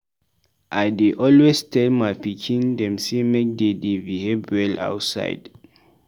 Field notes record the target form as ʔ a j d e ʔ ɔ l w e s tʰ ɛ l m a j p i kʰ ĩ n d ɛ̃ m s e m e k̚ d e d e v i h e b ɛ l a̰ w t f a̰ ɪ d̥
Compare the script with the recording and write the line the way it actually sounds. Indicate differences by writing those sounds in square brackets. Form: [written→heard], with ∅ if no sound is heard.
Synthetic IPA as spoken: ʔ a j d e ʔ ɔ l w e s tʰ ɛ l m a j p i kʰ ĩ n d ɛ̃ m s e m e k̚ d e d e v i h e b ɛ l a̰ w t [f→s] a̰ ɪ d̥